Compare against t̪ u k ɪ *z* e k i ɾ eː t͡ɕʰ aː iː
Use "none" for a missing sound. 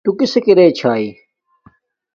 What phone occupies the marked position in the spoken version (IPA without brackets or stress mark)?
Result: s